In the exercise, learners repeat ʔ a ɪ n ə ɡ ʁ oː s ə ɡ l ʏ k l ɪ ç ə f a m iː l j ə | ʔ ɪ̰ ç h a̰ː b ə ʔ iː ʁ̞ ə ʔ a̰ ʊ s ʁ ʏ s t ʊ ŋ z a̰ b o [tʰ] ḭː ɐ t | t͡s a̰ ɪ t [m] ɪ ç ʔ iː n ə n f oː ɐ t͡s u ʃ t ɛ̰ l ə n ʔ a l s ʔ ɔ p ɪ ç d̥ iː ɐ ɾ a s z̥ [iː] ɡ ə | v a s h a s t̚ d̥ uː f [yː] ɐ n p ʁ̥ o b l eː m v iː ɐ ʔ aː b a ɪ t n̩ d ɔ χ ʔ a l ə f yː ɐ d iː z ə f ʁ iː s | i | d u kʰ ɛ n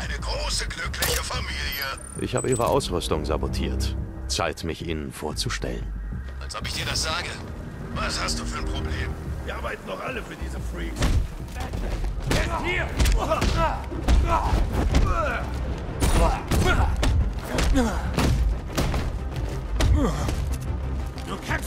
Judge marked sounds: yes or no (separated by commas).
yes, yes, no, yes